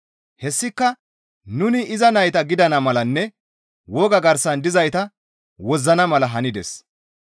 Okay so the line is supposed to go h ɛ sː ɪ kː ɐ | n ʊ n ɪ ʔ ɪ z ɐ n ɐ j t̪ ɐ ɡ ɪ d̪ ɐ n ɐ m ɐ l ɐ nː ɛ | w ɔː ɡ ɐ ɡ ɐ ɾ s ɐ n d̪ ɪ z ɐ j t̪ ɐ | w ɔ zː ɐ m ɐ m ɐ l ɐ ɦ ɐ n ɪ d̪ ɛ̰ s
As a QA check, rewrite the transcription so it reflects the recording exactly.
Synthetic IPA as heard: h ɛ sː ɪ kː ɐ | n ʊ n ɪ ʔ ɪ z ɐ n ɐ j t̪ ɐ ɡ ɪ d̪ ɐ n ɐ m ɐ l ɐ nː ɛ | w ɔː ɡ ɐ ɡ ɐ ɾ s ɐ n d̪ ɪ z ɐ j t̪ ɐ | w ɔ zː ɐ n ɐ m ɐ l ɐ ɦ ɐ n ɪ d̪ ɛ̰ s